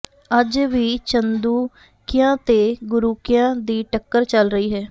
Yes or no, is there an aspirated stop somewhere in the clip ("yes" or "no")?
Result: no